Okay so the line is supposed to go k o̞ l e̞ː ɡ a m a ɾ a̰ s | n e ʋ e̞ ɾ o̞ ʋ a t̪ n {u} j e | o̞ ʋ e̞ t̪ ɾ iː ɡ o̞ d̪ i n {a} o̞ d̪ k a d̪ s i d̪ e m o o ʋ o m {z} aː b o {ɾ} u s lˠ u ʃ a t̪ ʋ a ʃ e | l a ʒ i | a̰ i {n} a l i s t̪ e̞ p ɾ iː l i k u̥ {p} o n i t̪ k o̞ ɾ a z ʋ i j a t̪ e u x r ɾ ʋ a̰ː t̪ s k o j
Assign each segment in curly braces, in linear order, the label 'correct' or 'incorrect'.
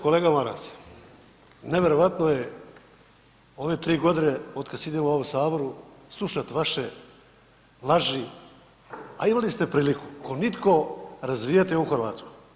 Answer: incorrect: o, incorrect: e, incorrect: s, correct, incorrect: m, incorrect: k

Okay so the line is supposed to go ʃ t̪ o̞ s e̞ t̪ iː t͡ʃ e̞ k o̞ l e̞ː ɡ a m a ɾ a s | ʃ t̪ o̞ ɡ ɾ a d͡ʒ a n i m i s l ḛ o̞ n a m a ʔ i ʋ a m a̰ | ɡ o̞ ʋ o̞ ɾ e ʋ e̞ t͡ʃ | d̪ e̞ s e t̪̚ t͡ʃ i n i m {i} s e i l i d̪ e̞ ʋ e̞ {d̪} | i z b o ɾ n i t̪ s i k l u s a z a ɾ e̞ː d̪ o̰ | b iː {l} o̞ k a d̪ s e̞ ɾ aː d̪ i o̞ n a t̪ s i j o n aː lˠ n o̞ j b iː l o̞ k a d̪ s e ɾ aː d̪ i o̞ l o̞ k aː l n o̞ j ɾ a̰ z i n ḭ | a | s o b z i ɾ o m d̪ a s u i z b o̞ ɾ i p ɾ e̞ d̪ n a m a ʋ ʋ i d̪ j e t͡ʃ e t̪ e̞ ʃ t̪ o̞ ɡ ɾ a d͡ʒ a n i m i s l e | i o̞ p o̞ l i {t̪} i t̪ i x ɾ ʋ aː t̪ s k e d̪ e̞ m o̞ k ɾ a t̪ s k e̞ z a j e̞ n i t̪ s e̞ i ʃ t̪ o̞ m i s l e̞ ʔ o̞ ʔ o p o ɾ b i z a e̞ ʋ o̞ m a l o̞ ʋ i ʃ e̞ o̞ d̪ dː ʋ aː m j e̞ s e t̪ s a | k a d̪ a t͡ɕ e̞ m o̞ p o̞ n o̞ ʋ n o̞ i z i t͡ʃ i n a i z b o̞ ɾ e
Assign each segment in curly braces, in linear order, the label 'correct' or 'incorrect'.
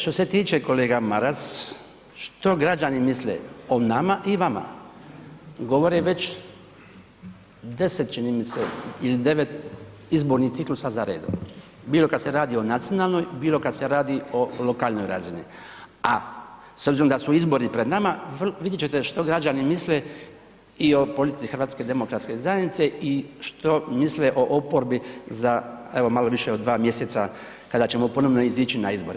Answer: correct, incorrect: t̪, correct, correct

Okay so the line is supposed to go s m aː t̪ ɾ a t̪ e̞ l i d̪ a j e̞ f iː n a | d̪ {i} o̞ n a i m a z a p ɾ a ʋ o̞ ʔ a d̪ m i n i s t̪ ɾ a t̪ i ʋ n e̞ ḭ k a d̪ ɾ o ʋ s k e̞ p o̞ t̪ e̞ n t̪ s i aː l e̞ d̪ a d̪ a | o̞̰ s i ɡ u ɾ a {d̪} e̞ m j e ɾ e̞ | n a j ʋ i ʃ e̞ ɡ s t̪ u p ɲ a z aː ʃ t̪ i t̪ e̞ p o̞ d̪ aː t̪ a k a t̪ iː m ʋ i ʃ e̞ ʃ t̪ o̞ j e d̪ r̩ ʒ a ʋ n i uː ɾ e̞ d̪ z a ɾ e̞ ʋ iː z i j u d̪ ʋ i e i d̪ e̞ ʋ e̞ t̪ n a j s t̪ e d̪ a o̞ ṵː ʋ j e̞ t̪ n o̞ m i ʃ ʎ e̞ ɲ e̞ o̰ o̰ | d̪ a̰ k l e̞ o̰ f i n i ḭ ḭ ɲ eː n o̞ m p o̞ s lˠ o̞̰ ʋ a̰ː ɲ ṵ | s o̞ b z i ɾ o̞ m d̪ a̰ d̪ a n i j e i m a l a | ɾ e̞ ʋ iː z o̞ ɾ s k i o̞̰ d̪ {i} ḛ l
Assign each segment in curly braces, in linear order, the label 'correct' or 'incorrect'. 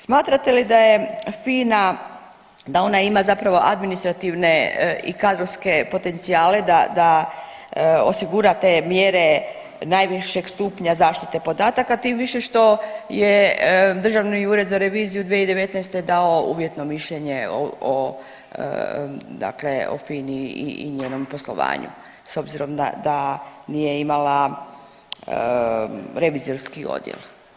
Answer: incorrect: a, incorrect: t̪, incorrect: j

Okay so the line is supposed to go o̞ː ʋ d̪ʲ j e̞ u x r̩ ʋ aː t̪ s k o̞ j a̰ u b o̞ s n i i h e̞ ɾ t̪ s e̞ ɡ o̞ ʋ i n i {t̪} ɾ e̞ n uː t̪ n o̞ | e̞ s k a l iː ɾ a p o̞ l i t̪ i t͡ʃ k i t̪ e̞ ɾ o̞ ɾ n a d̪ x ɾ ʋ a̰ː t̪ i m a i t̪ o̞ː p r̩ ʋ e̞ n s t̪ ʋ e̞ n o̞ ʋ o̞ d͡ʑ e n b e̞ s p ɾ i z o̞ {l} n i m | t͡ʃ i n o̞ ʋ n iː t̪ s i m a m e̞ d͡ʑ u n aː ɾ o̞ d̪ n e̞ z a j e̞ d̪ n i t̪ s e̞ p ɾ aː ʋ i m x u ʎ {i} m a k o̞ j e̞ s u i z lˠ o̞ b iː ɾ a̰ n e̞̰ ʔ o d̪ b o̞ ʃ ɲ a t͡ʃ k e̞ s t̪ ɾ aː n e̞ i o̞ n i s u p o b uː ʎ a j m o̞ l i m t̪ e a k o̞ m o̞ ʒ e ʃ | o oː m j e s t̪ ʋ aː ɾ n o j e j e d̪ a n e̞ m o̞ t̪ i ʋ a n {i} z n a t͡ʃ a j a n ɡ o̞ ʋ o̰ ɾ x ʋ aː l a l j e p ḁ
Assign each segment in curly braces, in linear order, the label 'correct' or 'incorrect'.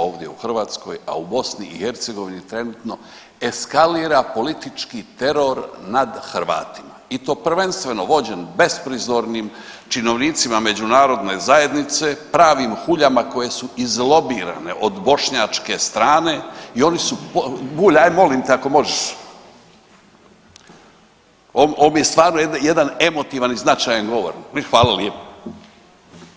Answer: correct, incorrect: ɾ, incorrect: a, correct

